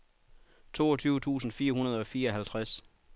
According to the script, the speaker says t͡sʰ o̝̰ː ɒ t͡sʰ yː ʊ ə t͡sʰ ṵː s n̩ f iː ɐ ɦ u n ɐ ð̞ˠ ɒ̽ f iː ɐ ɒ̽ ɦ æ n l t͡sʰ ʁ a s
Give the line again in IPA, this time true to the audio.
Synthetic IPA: t͡sʰ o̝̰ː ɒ t͡sʰ yː ʊ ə t͡sʰ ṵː s n̩ f iː ɐ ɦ u n ɐ ð̞ˠ ɒ̽ f iː ɐ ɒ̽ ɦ æ l t͡sʰ ʁ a s